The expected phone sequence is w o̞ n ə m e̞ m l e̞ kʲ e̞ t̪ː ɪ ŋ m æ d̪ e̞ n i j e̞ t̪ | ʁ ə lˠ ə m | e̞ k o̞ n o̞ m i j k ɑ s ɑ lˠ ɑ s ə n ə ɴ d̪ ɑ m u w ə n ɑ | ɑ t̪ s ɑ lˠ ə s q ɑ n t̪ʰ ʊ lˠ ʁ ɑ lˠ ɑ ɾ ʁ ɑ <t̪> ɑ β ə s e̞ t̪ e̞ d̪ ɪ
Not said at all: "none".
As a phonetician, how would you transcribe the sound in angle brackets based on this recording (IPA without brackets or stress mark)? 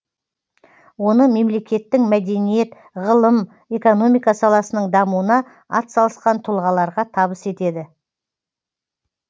t̪ʰ